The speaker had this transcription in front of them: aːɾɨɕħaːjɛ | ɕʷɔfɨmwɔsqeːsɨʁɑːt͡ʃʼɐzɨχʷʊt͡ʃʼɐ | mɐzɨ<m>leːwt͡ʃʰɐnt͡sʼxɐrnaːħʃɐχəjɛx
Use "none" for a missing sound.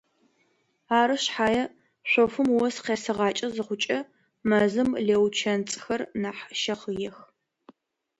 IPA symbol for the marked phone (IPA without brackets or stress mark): m